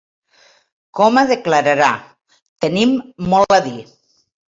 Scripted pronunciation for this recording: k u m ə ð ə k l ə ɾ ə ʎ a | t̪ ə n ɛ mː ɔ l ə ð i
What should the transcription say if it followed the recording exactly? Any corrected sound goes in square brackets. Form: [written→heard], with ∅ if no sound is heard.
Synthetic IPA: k [u→ɔ] m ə ð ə k l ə ɾ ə [ʎ→ɾ] a | t̪ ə n [ɛ→i] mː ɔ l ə ð i